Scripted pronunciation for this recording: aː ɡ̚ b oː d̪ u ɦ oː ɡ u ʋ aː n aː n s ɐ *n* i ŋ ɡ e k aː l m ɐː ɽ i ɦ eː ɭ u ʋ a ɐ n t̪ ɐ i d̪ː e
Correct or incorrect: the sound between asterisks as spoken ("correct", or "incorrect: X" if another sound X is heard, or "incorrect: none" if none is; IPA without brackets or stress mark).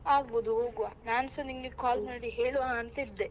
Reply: correct